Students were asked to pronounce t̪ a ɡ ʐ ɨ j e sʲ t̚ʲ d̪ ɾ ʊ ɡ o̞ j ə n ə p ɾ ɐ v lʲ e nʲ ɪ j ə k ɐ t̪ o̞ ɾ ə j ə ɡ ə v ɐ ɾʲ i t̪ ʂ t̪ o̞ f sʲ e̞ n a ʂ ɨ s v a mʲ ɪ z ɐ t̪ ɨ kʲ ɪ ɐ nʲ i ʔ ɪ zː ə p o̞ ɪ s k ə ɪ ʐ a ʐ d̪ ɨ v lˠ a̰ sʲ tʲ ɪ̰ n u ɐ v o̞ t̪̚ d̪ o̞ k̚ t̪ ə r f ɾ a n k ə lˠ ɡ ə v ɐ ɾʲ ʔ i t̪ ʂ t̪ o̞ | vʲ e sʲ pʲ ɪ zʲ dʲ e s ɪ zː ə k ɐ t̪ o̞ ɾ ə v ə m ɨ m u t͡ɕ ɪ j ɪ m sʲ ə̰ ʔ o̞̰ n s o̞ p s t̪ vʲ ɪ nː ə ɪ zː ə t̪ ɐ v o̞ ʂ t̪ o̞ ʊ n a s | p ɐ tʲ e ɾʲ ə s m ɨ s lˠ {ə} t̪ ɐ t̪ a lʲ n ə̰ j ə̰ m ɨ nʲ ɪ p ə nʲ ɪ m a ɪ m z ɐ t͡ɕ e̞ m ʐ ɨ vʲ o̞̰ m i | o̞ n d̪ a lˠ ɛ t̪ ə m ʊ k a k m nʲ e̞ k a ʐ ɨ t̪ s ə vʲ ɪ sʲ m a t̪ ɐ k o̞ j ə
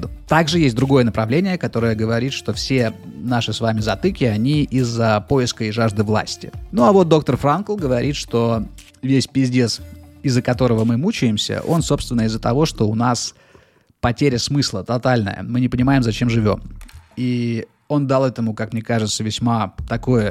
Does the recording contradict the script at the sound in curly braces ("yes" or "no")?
no